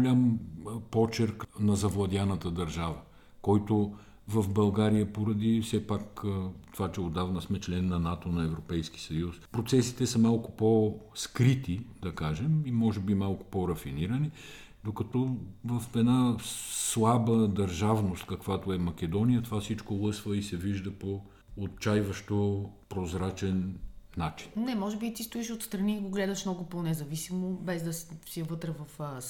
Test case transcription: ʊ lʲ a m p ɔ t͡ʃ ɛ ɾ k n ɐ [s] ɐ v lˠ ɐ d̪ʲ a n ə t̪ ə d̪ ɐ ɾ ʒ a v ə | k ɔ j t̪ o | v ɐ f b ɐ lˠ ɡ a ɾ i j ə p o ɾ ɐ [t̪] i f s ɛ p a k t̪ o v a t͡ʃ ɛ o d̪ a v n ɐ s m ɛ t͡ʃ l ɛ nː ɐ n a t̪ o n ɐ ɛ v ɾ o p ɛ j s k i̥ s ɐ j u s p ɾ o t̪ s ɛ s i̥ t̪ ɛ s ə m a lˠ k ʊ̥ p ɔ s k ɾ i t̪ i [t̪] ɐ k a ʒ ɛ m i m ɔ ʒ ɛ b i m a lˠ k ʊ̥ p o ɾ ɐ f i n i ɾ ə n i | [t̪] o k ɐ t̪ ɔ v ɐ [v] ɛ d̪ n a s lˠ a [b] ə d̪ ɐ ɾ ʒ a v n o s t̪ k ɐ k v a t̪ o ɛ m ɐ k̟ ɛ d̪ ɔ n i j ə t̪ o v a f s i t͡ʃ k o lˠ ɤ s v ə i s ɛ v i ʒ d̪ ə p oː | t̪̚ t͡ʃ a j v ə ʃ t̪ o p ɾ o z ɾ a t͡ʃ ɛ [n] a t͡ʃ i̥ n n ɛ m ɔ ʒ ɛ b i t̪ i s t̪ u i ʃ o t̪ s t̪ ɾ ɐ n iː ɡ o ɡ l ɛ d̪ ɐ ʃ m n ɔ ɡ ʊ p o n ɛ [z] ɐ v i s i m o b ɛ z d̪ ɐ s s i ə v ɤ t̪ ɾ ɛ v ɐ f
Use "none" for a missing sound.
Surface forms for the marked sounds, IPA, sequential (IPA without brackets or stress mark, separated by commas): z, d̪, d̪, d̪, f, b, nː, z